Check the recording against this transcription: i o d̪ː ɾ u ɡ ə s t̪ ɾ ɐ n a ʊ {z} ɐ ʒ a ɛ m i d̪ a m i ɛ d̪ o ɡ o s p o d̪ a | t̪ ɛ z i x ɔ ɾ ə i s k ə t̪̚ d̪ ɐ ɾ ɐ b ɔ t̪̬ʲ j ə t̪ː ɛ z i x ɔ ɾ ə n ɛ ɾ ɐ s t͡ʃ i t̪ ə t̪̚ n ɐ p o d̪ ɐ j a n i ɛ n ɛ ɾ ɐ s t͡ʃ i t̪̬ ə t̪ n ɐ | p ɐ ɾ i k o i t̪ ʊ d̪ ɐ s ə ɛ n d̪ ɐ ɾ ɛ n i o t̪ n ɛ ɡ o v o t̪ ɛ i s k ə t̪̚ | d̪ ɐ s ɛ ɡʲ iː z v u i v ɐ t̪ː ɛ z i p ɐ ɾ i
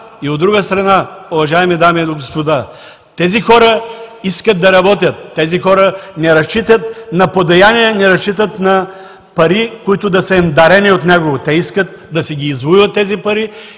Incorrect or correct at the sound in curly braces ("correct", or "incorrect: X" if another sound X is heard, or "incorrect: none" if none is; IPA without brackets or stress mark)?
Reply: incorrect: v